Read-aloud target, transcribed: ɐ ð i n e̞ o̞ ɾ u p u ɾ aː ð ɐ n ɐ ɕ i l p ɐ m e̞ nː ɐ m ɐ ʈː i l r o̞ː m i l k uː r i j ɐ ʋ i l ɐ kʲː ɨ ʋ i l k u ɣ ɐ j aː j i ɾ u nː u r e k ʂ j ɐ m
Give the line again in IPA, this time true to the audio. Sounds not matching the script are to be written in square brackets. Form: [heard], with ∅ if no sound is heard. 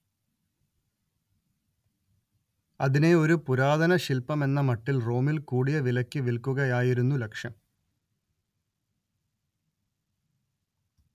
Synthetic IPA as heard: ɐ ð i n e̞ o̞ ɾ u p u ɾ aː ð ɐ n ɐ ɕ i l p ɐ m e̞ nː ɐ m ɐ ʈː i l r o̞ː m i l k uː [ɽ] i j ɐ ʋ i l ɐ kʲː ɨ ʋ i l k u ɣ ɐ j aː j i ɾ u nː u [l] e k ʂ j ɐ m